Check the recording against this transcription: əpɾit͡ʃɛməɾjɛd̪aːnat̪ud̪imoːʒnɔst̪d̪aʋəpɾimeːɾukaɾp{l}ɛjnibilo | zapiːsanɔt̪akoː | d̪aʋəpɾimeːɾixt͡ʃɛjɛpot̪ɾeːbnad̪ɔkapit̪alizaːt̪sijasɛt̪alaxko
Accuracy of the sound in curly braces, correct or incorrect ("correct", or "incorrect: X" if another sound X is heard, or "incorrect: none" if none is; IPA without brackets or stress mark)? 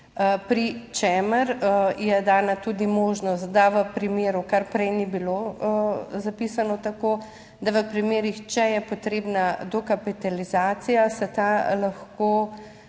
incorrect: ɾ